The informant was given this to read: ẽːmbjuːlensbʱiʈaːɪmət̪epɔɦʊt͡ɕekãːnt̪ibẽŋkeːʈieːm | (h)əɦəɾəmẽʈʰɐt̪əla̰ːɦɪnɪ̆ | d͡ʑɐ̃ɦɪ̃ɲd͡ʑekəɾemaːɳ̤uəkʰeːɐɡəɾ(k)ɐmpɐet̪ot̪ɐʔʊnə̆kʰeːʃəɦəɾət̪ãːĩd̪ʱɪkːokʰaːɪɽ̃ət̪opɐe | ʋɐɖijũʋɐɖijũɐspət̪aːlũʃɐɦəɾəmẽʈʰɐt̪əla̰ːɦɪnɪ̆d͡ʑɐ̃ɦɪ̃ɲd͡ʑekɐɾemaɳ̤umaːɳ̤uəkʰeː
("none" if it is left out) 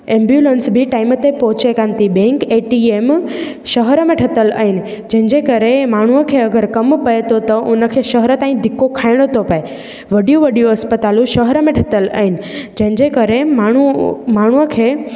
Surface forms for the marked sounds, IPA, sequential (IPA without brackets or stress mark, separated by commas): ʃ, k